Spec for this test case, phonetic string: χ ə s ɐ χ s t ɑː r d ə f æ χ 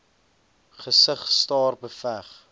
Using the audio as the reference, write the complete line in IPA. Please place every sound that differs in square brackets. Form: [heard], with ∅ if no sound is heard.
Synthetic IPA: χ ə s [ə] χ s t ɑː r [b] ə f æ χ